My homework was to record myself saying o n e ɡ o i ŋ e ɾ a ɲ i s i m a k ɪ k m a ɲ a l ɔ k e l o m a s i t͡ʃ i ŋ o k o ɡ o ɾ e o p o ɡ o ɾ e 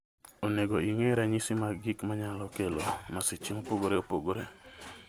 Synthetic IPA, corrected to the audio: o n e ɡ o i ŋ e ɾ a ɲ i s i m a ɡ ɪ k m a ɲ a l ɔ k e l o m a s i t͡ʃ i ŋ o p o ɡ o ɾ e o p o ɡ o ɾ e